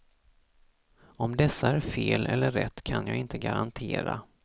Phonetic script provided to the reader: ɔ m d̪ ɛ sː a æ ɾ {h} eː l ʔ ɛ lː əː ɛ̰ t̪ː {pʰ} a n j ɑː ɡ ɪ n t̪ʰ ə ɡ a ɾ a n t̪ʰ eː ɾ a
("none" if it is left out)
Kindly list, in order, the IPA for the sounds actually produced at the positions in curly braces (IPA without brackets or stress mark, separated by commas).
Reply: f, kʰ